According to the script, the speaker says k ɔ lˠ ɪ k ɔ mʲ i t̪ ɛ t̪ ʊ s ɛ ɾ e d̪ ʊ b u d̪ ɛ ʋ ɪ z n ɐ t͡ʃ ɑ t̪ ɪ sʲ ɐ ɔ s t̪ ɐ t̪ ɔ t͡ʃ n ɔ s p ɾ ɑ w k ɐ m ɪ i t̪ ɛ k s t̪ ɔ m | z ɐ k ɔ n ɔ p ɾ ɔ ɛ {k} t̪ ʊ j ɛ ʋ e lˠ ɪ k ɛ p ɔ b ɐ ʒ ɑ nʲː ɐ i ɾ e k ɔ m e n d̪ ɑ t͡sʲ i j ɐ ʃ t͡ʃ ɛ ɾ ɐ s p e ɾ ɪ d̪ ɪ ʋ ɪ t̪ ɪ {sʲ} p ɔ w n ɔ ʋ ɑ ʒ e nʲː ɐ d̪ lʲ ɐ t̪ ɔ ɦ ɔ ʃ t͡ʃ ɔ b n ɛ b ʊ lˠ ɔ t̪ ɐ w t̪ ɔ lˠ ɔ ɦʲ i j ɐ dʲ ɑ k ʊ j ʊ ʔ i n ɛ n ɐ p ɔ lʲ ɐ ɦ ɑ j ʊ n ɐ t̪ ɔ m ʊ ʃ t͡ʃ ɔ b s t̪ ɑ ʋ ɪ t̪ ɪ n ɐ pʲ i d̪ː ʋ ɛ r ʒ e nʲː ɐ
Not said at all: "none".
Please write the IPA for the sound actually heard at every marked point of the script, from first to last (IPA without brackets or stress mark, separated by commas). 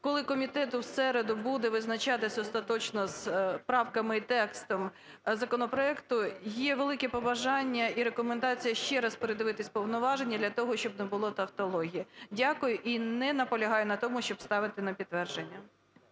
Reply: k, sʲ